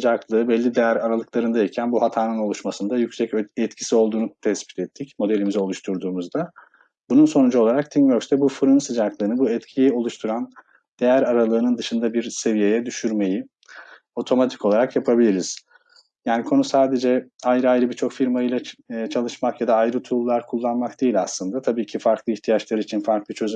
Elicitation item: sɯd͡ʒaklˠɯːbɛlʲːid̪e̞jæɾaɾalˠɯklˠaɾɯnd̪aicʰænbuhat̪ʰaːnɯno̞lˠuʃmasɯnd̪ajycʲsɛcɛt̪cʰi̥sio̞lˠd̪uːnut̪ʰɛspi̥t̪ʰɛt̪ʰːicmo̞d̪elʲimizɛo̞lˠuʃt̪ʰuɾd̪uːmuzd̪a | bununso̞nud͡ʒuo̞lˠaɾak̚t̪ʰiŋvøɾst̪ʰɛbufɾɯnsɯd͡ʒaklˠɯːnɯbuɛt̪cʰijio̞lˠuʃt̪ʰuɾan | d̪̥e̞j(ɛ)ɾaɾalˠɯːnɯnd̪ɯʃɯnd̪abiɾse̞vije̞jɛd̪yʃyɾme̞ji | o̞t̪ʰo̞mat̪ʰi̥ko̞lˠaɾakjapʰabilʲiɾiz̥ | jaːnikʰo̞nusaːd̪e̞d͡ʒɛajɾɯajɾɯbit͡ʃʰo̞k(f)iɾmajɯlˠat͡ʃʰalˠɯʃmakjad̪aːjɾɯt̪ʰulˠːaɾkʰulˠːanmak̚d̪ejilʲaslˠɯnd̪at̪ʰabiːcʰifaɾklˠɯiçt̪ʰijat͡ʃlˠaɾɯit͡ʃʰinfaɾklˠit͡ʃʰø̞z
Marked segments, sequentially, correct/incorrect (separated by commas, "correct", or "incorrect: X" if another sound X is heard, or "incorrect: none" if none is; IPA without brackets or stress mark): incorrect: æ, correct